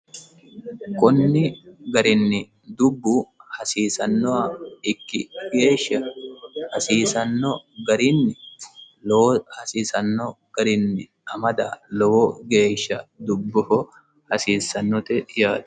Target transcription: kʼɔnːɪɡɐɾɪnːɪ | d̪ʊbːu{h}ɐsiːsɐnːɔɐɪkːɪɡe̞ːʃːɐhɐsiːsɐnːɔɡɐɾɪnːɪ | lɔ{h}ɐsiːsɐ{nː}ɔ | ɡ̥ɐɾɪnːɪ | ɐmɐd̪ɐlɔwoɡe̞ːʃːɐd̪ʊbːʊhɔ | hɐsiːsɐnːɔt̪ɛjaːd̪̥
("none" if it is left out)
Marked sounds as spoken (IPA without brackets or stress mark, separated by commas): h, h, nː